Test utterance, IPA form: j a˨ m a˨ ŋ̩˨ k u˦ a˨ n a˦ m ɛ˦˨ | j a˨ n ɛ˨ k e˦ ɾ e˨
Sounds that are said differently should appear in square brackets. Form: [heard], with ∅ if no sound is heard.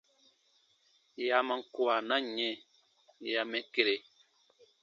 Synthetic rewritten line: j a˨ m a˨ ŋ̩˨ k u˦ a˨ n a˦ [ɲ] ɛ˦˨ | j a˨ [m] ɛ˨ k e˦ ɾ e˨